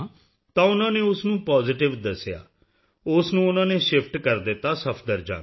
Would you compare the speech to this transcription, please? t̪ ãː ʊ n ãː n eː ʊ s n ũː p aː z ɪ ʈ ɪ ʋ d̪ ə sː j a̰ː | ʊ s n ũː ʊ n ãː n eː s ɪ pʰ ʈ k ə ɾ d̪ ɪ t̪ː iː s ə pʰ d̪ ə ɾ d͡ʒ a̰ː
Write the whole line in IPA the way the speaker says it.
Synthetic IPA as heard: t̪ ãː ʊ n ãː n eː ʊ s n ũː p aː z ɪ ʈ ɪ ʋ d̪ ə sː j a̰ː | ʊ s n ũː ʊ n ãː n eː ʃ ɪ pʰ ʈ k ə ɾ d̪ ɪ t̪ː aː s ə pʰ d̪ ə ɾ d͡ʒ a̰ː